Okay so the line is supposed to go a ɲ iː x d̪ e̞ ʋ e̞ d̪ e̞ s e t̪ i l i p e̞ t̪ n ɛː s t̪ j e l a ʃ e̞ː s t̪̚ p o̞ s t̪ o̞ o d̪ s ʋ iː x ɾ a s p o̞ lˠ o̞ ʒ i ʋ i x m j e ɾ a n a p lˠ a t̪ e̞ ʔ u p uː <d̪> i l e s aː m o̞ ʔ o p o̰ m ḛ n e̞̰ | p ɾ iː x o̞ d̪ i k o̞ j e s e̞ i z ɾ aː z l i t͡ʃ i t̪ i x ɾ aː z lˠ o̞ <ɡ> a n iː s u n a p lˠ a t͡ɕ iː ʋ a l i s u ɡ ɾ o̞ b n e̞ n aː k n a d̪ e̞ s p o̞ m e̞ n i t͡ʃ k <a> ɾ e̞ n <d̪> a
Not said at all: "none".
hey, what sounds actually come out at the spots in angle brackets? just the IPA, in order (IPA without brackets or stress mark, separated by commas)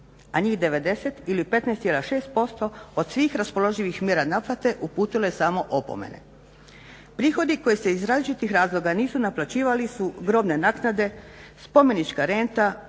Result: t̪, ɡ, a, t̪